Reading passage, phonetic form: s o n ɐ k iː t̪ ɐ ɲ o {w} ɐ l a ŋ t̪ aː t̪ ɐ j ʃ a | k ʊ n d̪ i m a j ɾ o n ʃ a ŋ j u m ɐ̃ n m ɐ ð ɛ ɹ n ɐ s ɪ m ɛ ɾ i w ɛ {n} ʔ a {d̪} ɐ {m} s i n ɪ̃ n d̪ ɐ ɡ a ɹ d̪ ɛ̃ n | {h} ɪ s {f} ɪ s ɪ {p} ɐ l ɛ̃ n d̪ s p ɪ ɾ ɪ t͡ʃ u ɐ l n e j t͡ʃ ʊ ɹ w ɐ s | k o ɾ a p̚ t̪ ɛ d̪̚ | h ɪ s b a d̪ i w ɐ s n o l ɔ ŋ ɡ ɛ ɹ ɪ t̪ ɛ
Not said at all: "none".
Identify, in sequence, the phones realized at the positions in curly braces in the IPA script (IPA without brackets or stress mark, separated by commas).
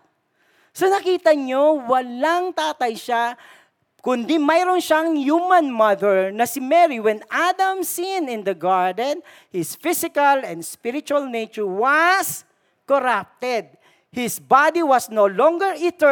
w, n, d̪, m, h, f, k